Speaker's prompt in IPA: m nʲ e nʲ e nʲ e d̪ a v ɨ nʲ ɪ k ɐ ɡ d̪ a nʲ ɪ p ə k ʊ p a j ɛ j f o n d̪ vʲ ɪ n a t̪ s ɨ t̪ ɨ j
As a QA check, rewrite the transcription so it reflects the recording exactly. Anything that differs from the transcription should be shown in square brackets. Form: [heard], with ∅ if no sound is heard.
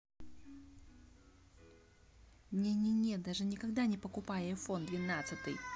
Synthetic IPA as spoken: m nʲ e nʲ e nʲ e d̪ a [ʐ] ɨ nʲ ɪ k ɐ ɡ d̪ a nʲ ɪ p ə k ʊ p a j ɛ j f o n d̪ vʲ ɪ n a t̪ s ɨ t̪ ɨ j